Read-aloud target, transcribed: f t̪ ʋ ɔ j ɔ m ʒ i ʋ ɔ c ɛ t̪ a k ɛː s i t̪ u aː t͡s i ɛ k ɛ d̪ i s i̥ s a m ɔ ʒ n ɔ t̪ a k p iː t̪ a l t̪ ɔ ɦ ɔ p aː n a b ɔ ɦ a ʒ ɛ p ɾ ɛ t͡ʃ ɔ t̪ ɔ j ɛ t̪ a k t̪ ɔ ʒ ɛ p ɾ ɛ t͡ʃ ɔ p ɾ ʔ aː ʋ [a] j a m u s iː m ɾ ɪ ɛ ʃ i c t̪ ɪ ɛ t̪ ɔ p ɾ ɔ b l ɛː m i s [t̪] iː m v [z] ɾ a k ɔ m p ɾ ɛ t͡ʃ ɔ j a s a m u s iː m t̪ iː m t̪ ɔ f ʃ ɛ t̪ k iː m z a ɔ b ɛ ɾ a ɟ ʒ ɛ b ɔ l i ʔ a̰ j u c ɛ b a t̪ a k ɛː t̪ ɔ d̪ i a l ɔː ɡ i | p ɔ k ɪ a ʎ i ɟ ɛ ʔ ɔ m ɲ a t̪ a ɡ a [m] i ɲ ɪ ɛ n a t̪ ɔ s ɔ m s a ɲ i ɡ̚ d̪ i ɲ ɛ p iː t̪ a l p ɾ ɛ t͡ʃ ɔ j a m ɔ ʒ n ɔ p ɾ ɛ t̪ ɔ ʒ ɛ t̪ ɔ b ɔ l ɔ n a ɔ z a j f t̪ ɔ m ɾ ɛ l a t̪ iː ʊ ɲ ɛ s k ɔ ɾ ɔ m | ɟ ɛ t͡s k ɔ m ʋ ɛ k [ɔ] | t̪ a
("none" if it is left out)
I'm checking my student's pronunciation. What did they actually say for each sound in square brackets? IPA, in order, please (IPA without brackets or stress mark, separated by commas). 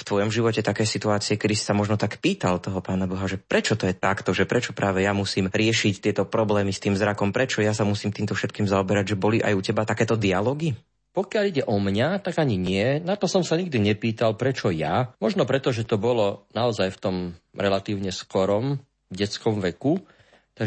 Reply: ɛ, t̪, z, ɲ, u